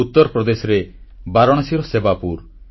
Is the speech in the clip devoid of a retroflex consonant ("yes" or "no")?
no